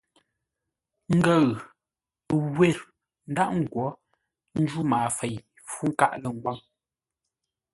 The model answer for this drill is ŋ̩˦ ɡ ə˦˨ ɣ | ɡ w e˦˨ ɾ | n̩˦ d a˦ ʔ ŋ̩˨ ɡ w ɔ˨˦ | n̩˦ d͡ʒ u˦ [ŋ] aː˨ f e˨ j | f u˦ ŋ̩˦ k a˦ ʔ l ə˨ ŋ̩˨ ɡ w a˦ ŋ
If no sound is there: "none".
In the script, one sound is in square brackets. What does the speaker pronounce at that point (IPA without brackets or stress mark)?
m